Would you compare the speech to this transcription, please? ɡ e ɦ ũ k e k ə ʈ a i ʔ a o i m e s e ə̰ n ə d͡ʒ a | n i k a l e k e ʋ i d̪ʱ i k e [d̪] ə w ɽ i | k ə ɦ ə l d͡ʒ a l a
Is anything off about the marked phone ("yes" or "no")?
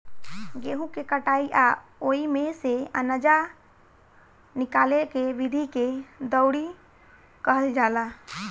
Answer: no